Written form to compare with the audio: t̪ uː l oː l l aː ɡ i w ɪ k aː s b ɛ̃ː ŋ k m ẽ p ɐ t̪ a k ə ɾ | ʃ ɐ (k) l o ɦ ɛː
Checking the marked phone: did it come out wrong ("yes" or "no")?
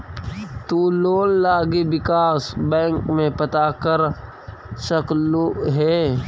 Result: no